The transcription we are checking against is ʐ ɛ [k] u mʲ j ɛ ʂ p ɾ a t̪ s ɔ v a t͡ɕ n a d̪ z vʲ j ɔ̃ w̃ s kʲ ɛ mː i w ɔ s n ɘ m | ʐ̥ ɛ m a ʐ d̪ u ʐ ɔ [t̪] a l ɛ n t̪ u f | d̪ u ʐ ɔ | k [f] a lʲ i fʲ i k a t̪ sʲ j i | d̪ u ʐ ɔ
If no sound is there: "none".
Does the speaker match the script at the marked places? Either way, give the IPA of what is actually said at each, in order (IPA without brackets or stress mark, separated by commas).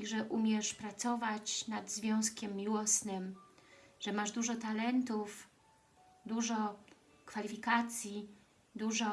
ʔ, t̪, f